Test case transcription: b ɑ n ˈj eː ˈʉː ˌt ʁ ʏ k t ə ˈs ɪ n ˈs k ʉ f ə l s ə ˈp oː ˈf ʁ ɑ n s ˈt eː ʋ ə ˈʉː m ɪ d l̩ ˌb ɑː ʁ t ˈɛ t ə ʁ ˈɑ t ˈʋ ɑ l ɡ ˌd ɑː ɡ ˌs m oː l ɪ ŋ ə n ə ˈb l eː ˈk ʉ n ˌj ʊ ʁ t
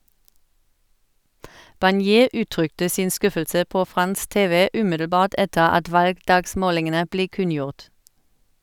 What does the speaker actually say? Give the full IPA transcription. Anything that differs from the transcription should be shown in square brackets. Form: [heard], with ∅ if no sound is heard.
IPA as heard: b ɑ n ˈj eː ˈʉː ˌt ʁ ʏ k t ə ˈs ɪ n ˈs k ʉ f ə l s ə ˈp oː ˈf ʁ ɑ n s ˈt eː ʋ ə ˈʉː m ɪ d l̩ ˌb ɑː ʁ t ˈɛ t ə ʁ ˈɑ t ˈʋ ɑ l ɡ ˌd ɑː ɡ ˌs m oː l ɪ ŋ ə n ə ˈb l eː ˈk ʉ n ˌj ʊ ʁ t

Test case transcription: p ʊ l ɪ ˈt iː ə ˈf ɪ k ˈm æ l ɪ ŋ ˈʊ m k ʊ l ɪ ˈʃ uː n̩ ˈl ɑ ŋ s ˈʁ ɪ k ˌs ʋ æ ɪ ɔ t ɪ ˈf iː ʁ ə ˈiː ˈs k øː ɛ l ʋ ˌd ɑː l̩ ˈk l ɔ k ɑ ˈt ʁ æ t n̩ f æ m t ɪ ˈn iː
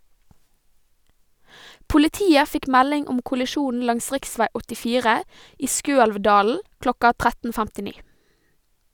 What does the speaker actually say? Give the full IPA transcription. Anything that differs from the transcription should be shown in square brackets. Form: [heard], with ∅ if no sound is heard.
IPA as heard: p ʊ l ɪ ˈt iː ə ˈf ɪ k ˈm æ l ɪ ŋ ˈʊ m k ʊ l ɪ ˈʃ uː n̩ ˈl ɑ ŋ s ˈʁ ɪ k ˌs ʋ æ ɪ ɔ t ɪ ˈf iː ʁ ə ˈiː ˈs k øː ɛ l ʋ ˌd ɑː l̩ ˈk l ɔ k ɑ ˈt ʁ æ t n̩ f æ m t ɪ ˈn iː

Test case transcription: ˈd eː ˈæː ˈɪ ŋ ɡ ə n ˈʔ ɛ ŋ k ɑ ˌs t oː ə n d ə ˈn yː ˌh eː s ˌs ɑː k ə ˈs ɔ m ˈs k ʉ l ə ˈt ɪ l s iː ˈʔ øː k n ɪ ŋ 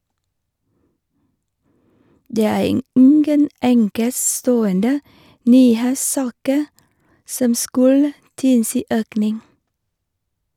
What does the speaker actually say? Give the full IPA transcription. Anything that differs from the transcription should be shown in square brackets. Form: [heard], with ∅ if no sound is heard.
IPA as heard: ˈd eː ˈæː ˈɪ ŋ ɡ ə n ˈʔ ɛ ŋ k [ə] ˌs t oː ə n d ə ˈn yː ˌh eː s ˌs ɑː k ə ˈs ɔ m ˈs k ʉ l ə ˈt ɪ l s iː ˈʔ øː k n ɪ ŋ

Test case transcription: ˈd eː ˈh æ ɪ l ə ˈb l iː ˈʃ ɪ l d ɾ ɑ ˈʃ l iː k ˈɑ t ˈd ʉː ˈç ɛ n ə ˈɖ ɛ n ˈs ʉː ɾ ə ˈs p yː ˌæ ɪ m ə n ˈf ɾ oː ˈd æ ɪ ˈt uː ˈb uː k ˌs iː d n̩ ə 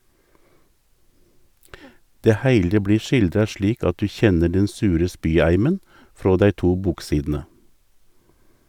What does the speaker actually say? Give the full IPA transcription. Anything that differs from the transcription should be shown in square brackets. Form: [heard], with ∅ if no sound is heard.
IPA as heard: ˈd eː ˈh æ ɪ l ə ˈb l iː ˈʃ ɪ l d ɾ ɑ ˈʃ l iː k ˈɑ t ˈd ʉː ˈç ɛ n ə ˈɖ ɛ n ˈs ʉː ɾ ə ˈs p yː ˌæ ɪ m ə n ˈf ɾ oː ˈd æ ɪ ˈt uː ˈb uː k ˌs iː d n̩ ə

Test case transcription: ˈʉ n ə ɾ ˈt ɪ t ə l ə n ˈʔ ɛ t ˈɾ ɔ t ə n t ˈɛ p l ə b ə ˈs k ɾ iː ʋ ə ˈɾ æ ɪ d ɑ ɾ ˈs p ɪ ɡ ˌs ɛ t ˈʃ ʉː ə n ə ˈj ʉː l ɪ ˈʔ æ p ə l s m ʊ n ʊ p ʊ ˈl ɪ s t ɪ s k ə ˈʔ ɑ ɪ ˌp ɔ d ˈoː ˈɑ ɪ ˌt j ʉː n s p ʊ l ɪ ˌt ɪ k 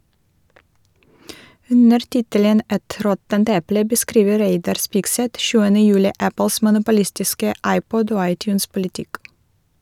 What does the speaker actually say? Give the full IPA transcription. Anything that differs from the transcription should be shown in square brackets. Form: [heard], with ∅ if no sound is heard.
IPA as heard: ˈʉ n ə ɾ ˈt ɪ t ə l ə n ˈʔ ɛ t ˈɾ ɔ t ə n t ˈɛ p l ə b ə ˈs k ɾ iː ʋ ə ˈɾ [e] ɪ d ɑ ɾ ˈs p ɪ ɡ ˌs ɛ t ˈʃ ʉː ə n ə ˈj ʉː l ɪ ˈʔ æ p ə l s m ʊ n ʊ p ʊ ˈl ɪ s t ɪ s k ə ˈʔ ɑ ɪ ˌp ɔ d ˈoː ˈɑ ɪ ˌt j ʉː n s p ʊ l ɪ ˌt ɪ k

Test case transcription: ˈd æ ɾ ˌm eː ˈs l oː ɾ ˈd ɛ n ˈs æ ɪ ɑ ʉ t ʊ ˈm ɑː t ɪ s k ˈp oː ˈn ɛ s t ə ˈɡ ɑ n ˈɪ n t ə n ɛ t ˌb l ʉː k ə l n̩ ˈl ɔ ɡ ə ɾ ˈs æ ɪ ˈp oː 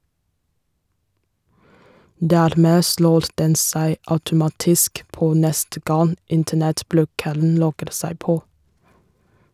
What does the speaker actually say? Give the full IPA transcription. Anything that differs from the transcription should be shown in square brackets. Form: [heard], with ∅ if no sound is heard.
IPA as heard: ˈd [æː] ɾ ˌm eː ˈs l oː ɾ ˈd ɛ n ˈs æ ɪ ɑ ʉ t ʊ ˈm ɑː t ɪ s k ˈp oː ˈn ɛ s t ə ˈɡ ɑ n ˈɪ n t ə n ɛ t ˌb l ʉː k ə l n̩ ˈl ɔ ɡ ə ɾ ˈs æ ɪ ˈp oː

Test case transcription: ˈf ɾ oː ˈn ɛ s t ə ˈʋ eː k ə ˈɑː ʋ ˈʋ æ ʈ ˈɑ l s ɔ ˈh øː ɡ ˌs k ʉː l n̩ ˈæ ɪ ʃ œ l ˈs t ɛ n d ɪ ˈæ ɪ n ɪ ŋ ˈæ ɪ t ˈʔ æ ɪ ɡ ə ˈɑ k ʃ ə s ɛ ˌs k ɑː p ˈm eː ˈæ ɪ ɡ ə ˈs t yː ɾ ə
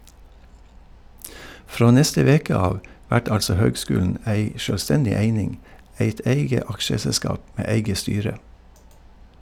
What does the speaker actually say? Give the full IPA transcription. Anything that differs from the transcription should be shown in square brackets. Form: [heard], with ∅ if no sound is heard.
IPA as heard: ˈf ɾ oː ˈn ɛ s t ə ˈʋ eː k ə ˈɑː ʋ ˈʋ æ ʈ ˈɑ l s ɔ ˈh øː ɡ ˌs k ʉː l n̩ ˈæ ɪ ʃ œ l ˈs t ɛ n d ɪ [ˈe] ɪ n ɪ ŋ ˈæ ɪ t ˈʔ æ ɪ ɡ ə ˈɑ k ʃ ə s ɛ ˌs k ɑː p ˈm eː ˈæ ɪ ɡ ə ˈs t yː ɾ ə

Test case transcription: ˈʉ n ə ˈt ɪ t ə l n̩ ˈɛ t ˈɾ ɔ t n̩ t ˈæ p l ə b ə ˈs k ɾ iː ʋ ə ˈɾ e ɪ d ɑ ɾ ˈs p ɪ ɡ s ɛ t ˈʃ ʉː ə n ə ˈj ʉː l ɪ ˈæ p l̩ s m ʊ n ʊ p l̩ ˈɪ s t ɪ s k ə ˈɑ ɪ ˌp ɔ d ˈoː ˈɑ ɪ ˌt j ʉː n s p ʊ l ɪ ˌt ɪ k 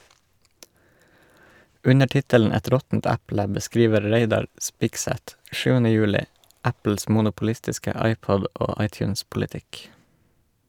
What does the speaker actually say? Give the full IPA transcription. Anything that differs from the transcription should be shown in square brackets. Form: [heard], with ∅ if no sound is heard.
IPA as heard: ˈʉ n ə ˈt ɪ t ə l n̩ ˈɛ t ˈɾ ɔ t n̩ t ˈæ p l ə b ə ˈs k ɾ iː ʋ ə ˈɾ e ɪ d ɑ ɾ ˈs p ɪ ɡ s ɛ t ˈʃ ʉː ə n ə ˈj ʉː l ɪ ˈæ p l̩ s m ʊ n ʊ p l̩ ˈɪ s t ɪ s k ə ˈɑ ɪ ˌp ɔ d ˈoː ˈɑ ɪ ˌt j ʉː n s p ʊ l ɪ ˌt ɪ k

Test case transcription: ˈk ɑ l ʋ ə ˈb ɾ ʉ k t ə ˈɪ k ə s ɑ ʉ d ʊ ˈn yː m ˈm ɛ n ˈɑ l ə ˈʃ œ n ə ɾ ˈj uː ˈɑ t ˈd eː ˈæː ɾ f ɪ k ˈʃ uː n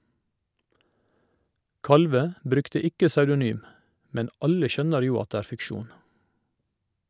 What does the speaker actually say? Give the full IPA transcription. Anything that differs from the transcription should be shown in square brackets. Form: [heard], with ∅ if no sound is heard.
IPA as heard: ˈk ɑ l ʋ ə ˈb ɾ ʉ k t ə ˈɪ k ə s ɑ ʉ d ʊ ˈn yː m ˈm ɛ n ˈɑ l ə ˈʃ œ n ə ɾ ˈj uː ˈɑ t ˈd eː ˈæː ɾ f ɪ k ˈʃ uː n

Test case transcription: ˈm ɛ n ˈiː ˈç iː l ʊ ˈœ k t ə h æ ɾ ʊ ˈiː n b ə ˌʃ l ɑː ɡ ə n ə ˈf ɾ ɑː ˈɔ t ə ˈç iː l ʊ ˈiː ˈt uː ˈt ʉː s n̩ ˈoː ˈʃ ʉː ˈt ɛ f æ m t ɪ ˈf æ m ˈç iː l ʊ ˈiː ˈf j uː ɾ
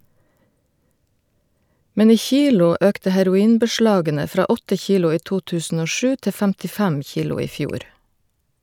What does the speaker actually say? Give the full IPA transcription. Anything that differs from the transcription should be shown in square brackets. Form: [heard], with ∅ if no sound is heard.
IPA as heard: ˈm ɛ n ˈiː ˈç iː l ʊ ˈœ k t ə h æ ɾ ʊ ˈiː n b ə ˌʃ l ɑː ɡ ə n ə ˈf ɾ ɑː ˈɔ t ə ˈç iː l ʊ ˈiː ˈt uː ˈt ʉː s n̩ ˈoː ˈʃ ʉː ˈt ɛ f æ m t ɪ ˈf æ m ˈç iː l ʊ ˈiː ˈf j uː ɾ

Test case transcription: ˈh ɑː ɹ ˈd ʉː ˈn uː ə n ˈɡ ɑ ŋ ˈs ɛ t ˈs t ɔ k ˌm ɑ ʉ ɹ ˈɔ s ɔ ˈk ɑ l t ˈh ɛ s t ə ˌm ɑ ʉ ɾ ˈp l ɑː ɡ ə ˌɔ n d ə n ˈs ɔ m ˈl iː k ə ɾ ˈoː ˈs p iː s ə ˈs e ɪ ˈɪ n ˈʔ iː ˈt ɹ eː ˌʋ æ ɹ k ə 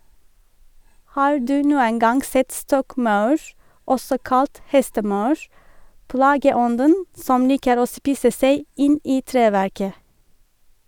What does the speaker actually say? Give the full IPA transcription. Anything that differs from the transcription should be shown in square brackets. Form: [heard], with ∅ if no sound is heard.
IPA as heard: ˈh ɑː ɹ ˈd ʉː ˈn uː ə n ˈɡ ɑ ŋ ˈs ɛ t ˈs t ɔ k ˌm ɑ ʉ ɹ ˈɔ s ɔ ˈk ɑ l t ˈh ɛ s t ə ˌm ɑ ʉ [ɹ] ˈp l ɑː ɡ ə ˌɔ n d ə n ˈs ɔ m ˈl iː k ə ɾ ˈoː ˈs p iː s ə ˈs e ɪ ˈɪ n ˈʔ iː ˈt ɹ eː ˌʋ æ ɹ k ə

